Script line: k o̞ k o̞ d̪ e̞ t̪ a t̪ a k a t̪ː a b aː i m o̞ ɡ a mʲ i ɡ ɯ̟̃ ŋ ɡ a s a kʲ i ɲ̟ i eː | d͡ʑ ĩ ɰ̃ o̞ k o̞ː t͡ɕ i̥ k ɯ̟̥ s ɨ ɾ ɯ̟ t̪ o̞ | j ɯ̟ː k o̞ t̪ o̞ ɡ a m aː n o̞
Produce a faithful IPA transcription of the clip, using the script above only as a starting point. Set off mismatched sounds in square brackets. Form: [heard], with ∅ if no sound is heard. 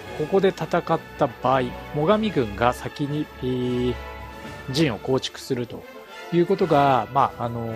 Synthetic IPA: k o̞ k o̞ d̪ e̞ t̪ a t̪ a k a t̪ː a b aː i m o̞ ɡ a mʲ i ɡ ɯ̟̃ ŋ ɡ a s a kʲ i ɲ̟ i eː | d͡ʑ ĩ ɰ̃ o̞ k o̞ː t͡ɕ i̥ k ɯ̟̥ s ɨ ɾ ɯ̟ t̪ o̞ | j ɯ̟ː k o̞ t̪ o̞ ɡ a m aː n o̞